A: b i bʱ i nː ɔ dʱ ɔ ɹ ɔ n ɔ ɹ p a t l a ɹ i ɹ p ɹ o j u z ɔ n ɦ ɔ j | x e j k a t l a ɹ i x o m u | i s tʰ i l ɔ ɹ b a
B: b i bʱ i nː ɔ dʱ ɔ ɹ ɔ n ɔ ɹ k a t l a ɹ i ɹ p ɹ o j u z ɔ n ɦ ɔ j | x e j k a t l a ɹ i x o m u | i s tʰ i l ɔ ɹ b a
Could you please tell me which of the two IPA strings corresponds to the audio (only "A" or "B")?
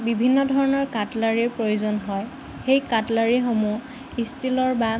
B